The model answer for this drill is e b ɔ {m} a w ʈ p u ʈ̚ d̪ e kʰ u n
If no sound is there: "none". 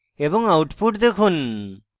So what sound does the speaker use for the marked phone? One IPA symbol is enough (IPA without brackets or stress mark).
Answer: ŋ